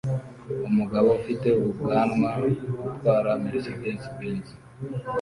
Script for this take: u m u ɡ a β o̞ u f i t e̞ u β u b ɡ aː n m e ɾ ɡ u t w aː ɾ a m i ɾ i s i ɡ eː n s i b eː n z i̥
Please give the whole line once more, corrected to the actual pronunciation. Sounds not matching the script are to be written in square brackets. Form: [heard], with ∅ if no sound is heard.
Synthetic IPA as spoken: u m u ɡ a β o̞ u f i t e̞ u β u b ɡ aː n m [a] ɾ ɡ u t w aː ɾ a m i ɾ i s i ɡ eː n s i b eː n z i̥